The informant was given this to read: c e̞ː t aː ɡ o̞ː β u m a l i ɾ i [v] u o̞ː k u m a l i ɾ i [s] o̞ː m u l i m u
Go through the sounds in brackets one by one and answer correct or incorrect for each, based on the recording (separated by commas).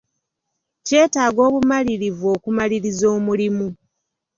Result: correct, incorrect